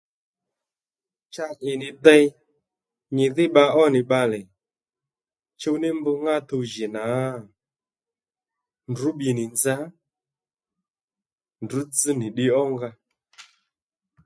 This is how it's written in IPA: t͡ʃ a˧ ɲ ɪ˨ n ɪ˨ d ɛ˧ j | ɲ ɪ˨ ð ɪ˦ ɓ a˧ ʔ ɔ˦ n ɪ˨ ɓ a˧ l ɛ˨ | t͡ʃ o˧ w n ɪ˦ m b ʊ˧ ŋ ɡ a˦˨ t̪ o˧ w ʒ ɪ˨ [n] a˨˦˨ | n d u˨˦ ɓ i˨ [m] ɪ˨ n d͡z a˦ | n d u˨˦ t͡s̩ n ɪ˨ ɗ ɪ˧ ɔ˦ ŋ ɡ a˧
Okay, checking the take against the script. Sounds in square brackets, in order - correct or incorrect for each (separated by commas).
correct, incorrect